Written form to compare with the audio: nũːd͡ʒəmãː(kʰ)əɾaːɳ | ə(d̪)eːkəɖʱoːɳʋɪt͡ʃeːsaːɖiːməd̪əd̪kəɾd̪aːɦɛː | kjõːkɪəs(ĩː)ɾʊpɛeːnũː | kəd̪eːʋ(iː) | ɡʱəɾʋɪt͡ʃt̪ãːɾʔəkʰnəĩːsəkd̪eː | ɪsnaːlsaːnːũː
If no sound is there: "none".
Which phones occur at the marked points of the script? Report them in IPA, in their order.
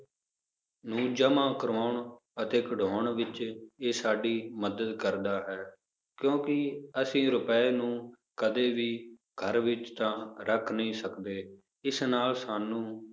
k, t̪, ĩː, iː

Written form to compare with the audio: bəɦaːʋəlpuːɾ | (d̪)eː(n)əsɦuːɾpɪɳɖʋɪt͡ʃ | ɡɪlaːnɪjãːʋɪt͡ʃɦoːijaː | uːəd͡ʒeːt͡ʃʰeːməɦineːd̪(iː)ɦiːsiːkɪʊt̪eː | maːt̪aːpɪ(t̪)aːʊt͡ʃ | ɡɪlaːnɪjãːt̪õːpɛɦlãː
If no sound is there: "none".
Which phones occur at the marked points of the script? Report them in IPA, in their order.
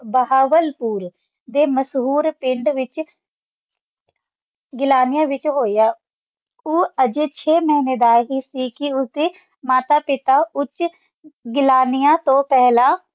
d̪, m, aː, t̪

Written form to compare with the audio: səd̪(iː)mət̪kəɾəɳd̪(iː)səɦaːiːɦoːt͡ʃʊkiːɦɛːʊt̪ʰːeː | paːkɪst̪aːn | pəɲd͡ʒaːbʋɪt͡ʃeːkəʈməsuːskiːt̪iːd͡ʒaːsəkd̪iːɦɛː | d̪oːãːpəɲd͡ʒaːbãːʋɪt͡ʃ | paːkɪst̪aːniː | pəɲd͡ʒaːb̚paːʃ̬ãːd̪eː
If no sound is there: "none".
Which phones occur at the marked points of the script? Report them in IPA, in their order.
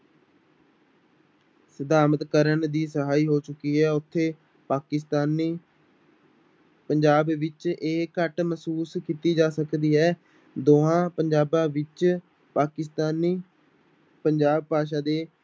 aː, iː

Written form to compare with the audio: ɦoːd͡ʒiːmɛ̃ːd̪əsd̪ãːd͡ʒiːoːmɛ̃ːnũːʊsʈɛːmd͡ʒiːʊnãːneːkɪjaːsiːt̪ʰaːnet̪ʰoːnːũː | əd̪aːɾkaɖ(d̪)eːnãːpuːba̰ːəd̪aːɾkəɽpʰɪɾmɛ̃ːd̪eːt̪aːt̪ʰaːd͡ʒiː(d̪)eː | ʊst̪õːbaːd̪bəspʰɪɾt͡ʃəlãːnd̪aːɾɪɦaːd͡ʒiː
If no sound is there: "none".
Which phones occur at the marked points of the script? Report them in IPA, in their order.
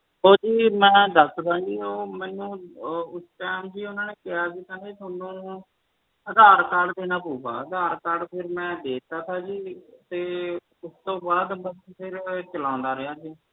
d̪, t̪

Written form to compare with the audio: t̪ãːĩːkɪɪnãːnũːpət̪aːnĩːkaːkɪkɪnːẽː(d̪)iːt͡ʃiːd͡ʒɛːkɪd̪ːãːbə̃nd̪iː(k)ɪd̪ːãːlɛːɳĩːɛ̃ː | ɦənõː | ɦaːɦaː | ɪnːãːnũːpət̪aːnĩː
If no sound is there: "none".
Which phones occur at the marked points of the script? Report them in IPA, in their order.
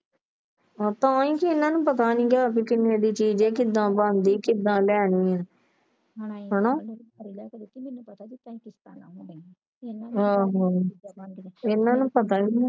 d̪, k

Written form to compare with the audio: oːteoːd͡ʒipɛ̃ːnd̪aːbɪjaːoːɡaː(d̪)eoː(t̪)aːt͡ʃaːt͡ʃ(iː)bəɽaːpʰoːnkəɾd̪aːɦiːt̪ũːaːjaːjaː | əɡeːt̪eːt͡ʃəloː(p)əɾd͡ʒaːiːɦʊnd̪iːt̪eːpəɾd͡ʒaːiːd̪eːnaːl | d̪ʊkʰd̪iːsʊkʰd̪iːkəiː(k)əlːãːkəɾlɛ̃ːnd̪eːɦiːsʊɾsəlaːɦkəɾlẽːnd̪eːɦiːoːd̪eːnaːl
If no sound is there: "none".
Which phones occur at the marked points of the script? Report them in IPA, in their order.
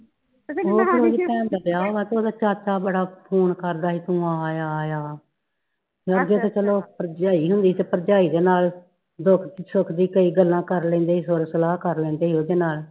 t̪, d̪, aː, p, ɡ

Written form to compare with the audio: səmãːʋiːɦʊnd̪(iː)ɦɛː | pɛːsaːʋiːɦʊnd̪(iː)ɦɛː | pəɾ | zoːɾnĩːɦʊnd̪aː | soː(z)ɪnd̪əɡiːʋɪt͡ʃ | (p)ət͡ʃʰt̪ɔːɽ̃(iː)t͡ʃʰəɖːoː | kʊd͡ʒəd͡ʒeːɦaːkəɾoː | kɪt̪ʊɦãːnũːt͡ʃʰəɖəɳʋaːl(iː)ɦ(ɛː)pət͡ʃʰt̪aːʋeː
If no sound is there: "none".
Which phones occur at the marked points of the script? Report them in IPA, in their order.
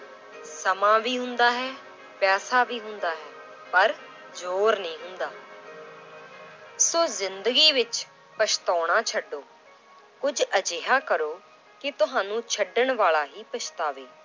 aː, aː, z, p, aː, aː, iː

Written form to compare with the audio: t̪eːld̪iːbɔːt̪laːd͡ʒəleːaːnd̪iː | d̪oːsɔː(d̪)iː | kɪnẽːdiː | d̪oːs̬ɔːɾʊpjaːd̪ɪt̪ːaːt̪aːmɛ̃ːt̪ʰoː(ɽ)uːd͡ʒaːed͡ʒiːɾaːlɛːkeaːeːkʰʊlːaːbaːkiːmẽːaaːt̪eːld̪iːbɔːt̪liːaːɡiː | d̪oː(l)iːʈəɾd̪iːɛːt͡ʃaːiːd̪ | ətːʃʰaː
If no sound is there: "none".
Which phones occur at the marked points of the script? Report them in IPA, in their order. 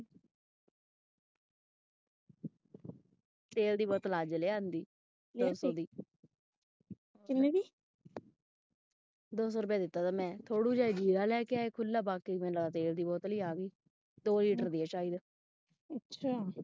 d̪, ɽ, l

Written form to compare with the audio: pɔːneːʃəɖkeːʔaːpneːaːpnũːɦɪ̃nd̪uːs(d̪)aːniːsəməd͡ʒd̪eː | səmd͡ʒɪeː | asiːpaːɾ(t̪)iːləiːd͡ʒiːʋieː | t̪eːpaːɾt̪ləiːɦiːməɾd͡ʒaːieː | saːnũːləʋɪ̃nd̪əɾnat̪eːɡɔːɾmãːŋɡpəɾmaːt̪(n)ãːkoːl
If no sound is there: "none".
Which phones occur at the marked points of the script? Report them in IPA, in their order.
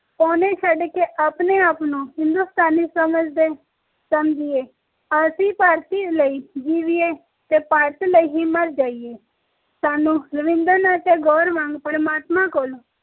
t̪, t̪, m

